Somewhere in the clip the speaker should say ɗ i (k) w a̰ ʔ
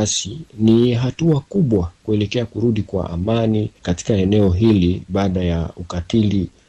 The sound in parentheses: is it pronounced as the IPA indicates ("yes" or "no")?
yes